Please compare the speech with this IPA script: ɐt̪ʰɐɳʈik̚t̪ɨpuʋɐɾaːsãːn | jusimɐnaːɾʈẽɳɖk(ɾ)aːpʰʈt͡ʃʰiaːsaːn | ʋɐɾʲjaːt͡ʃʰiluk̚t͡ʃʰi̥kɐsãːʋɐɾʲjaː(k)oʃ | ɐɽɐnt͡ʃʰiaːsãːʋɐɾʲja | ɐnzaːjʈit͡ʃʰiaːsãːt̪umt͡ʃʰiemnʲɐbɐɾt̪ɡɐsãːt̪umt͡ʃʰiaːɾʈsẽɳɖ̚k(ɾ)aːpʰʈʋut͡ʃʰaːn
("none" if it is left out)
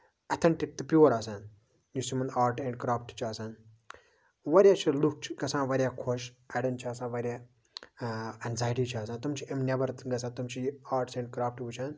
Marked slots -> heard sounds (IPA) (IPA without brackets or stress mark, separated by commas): ɾ, kʰ, ɾ